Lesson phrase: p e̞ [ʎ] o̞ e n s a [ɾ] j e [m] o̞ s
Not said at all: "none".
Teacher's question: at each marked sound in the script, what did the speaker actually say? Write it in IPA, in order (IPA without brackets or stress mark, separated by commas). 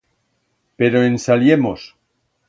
ɾ, l, m